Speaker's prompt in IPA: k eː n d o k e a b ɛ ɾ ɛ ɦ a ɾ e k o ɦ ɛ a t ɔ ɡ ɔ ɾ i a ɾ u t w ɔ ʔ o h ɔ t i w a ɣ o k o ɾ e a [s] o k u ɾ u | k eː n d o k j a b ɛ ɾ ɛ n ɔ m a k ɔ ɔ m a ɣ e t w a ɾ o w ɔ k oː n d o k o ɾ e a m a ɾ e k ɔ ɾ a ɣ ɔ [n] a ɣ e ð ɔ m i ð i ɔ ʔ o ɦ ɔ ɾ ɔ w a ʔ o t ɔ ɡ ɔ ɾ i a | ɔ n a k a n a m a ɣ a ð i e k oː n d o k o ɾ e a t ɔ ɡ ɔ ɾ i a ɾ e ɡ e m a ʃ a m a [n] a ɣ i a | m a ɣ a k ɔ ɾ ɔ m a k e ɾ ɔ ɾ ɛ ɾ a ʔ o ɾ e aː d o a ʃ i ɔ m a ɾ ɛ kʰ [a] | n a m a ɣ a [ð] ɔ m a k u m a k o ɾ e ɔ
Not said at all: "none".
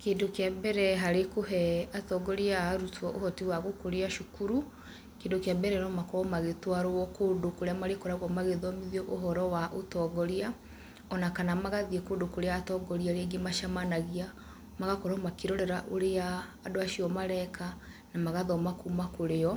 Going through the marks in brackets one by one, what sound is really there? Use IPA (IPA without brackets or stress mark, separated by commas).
ʃ, m, n, a, ð